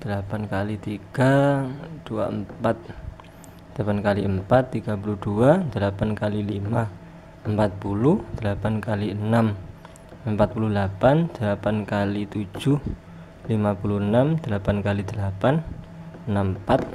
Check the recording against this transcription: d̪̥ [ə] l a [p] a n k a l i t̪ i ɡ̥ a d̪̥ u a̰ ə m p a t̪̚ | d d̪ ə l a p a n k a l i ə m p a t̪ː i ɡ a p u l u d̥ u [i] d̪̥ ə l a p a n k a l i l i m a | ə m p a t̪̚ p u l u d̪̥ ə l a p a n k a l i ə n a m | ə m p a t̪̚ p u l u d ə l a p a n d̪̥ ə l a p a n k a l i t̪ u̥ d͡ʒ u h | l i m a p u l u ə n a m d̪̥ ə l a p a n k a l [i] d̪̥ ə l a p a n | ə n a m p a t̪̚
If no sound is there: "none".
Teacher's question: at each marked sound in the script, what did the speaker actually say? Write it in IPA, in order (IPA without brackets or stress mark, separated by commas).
ə, p, a, i